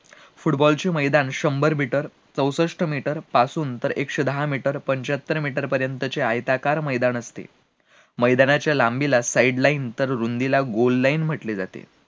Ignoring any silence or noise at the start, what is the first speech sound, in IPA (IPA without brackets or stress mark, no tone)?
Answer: f